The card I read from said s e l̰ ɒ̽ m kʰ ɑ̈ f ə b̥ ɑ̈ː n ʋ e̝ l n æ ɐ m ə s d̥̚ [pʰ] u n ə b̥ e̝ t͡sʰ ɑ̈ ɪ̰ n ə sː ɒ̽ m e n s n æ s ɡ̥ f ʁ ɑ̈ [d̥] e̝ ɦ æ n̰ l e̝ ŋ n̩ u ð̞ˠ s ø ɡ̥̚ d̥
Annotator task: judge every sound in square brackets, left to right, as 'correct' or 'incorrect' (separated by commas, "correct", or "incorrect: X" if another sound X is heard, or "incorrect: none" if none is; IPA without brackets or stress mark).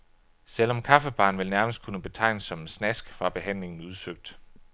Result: incorrect: kʰ, incorrect: b̥